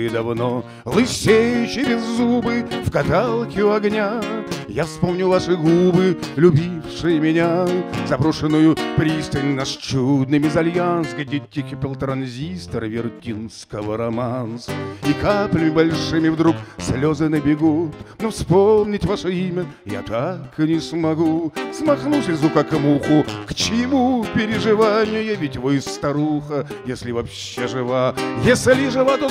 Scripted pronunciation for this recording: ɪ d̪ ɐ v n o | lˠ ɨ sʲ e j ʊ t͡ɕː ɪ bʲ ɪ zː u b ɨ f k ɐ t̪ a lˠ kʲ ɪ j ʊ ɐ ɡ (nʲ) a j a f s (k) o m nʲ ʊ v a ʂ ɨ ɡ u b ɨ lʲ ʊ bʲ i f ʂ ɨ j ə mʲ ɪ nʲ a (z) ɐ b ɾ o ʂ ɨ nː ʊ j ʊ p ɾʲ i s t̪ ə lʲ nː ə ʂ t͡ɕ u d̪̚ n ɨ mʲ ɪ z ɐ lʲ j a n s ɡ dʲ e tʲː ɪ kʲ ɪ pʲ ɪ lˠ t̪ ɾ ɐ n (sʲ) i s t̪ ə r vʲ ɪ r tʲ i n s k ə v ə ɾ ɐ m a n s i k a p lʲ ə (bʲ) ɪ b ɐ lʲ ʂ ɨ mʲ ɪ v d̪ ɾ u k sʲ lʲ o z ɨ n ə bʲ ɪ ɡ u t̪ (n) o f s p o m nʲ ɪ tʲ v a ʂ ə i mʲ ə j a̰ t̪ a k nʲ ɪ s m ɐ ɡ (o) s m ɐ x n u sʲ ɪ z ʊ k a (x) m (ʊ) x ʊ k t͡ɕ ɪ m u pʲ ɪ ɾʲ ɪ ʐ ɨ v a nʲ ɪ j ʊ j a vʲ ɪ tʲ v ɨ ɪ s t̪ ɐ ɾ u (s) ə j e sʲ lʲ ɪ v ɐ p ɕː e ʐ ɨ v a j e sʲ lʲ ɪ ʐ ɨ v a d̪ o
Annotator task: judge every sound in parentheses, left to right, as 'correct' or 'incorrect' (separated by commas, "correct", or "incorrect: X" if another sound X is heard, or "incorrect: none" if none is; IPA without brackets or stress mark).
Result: correct, incorrect: p, correct, incorrect: zʲ, incorrect: mʲ, correct, incorrect: u, incorrect: k, incorrect: u, incorrect: x